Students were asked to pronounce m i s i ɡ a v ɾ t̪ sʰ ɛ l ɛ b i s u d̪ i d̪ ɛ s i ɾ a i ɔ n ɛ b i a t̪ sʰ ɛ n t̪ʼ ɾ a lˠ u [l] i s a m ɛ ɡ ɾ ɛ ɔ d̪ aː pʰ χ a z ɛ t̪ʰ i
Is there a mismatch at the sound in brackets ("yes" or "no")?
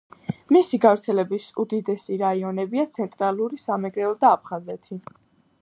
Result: yes